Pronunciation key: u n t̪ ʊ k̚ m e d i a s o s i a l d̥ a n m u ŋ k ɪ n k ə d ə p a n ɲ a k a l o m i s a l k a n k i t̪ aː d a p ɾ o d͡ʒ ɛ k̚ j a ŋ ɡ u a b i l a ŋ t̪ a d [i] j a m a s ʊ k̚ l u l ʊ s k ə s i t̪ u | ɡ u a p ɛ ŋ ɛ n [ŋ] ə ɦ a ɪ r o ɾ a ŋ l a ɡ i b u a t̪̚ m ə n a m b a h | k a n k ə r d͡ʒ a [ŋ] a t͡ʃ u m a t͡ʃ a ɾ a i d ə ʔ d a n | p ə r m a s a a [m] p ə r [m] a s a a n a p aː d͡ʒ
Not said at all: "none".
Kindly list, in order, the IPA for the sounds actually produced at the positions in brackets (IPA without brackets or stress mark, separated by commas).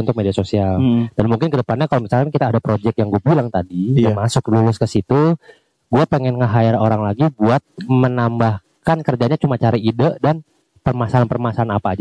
i, ŋ, ɲ, n, m